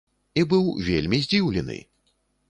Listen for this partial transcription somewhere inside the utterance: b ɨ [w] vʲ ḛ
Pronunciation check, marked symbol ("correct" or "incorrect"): correct